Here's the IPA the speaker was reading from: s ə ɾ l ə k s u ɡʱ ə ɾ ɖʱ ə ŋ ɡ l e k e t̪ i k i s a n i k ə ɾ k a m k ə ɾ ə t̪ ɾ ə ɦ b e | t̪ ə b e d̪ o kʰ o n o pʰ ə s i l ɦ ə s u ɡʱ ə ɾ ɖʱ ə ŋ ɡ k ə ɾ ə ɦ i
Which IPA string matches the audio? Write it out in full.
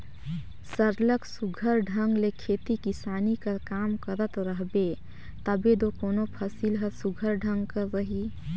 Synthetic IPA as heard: s ə ɾ l ə k s u ɡʱ ə ɾ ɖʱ ə ŋ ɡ l e kʰ e t̪ i k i s a n i k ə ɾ k a m k ə ɾ ə t̪ ɾ ə ɦ b e | t̪ ə b e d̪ o k o n o pʰ ə s i l ɦ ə s u ɡʱ ə ɾ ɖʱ ə ŋ ɡ k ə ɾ ə ɦ i